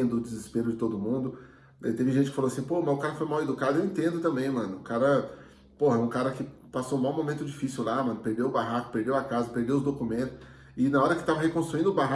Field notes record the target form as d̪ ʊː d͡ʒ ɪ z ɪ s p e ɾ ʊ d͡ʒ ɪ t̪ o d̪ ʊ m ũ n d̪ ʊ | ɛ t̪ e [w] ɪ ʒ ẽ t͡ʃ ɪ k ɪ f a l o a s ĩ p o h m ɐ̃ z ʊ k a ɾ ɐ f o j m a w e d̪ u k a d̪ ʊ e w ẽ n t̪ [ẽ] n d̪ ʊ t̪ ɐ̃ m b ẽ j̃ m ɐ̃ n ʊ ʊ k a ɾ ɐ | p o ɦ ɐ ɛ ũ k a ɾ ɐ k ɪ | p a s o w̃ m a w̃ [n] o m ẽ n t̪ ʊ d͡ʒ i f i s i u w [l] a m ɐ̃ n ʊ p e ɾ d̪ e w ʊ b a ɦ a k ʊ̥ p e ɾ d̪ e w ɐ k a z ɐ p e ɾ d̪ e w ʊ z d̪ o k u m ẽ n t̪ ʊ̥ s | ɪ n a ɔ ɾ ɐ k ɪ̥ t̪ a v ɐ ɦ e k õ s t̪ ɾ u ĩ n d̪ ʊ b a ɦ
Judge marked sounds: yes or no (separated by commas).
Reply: no, yes, no, yes